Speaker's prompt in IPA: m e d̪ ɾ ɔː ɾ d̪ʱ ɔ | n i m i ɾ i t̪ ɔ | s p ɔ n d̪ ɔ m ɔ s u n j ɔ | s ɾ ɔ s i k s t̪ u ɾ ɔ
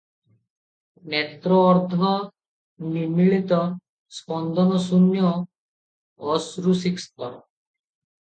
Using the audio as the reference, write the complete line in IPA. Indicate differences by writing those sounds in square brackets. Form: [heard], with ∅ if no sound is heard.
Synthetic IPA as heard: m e [t̪] ɾ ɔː ɾ d̪ʱ ɔ | n i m i [ɭ] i t̪ ɔ | s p ɔ n d̪ ɔ [n] ɔ s u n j ɔ | s ɾ [u] s i k s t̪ [ɔ] ɾ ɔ